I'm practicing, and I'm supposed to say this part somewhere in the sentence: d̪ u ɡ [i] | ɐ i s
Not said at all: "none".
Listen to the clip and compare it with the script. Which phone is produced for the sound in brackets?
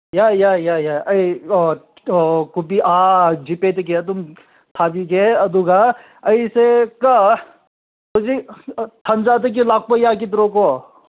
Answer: a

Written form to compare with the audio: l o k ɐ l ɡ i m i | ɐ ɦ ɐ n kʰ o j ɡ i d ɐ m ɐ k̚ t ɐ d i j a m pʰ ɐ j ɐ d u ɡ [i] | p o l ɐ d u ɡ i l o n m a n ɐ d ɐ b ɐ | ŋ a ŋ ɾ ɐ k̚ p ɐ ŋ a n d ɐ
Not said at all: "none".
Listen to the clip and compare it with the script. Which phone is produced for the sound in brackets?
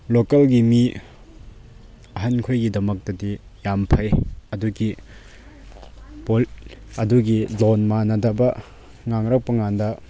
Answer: i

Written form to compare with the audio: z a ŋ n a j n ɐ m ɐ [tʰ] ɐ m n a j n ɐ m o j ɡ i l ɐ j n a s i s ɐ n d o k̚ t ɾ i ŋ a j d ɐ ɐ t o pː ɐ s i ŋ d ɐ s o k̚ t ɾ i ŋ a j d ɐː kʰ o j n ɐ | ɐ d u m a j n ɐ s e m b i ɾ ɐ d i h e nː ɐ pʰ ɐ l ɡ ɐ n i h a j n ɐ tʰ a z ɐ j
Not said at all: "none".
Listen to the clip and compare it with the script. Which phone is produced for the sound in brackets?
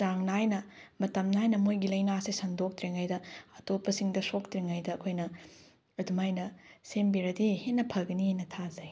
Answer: t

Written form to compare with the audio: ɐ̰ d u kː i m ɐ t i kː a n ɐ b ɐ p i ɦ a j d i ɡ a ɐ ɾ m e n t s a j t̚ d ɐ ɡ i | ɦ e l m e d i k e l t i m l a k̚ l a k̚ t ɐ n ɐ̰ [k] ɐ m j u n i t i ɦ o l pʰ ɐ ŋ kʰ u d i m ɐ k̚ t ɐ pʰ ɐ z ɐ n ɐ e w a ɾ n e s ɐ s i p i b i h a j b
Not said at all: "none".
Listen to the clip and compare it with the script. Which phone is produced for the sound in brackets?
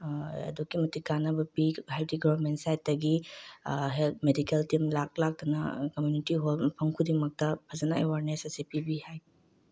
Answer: k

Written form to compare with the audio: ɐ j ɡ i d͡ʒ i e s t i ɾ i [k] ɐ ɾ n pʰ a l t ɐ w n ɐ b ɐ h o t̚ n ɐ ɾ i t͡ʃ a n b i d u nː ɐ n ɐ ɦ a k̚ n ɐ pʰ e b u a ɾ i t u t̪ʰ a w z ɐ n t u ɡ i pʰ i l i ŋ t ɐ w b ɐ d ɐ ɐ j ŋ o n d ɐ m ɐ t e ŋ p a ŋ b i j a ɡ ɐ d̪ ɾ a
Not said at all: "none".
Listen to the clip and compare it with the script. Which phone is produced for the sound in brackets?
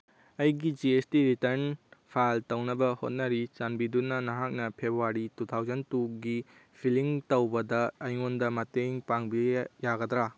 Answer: t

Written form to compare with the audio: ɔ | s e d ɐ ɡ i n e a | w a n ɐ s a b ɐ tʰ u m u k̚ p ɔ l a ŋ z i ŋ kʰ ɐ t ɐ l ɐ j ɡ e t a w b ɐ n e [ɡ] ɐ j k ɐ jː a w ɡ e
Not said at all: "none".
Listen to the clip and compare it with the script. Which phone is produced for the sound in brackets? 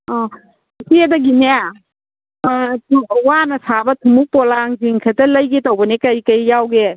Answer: k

